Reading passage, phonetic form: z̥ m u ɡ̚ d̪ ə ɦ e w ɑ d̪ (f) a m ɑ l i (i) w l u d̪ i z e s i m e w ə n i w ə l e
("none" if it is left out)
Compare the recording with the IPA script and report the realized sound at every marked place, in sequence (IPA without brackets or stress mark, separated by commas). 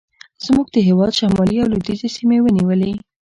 ʃ, a